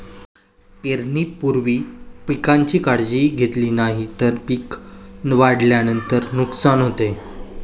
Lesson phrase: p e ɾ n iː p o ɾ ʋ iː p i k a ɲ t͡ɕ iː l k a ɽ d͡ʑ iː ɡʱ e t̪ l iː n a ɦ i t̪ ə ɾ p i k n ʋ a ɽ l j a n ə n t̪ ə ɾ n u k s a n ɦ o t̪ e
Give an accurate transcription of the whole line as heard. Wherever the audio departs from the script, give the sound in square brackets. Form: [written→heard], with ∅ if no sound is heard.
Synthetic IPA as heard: p e ɾ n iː p [o→u] ɾ ʋ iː p i k a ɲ t͡ɕ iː [l→∅] k a ɽ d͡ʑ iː ɡʱ e t̪ l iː n a ɦ i t̪ ə ɾ p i k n ʋ a ɽ l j a n ə n t̪ ə ɾ n u k s a n ɦ o t̪ e